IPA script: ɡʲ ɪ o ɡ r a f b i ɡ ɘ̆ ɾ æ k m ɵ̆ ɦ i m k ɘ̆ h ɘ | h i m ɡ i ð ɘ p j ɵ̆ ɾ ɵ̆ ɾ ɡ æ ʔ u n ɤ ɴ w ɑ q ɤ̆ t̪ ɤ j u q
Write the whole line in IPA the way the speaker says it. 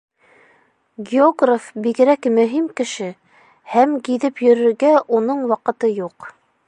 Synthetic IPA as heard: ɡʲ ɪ o ɡ r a f b i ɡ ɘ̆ ɾ æ k m ɵ̆ ɦ i m k ɘ̆ ʃ ɘ | h æ m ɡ i ð ɘ p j ɵ̆ ɾ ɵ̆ ɾ ɡ æ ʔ u n ɤ ɴ w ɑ q ɤ̆ t̪ ɤ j u q